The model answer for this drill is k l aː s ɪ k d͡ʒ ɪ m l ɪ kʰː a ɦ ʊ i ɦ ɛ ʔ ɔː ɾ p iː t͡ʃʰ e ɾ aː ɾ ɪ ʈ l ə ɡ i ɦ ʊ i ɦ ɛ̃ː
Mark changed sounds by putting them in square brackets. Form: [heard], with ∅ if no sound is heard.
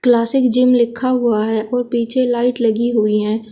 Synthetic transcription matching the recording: k l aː s ɪ k d͡ʒ ɪ m l ɪ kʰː a ɦ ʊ [a] ɦ ɛ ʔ ɔː ɾ p iː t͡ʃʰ e [l] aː [∅] ɪ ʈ l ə ɡ i ɦ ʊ i ɦ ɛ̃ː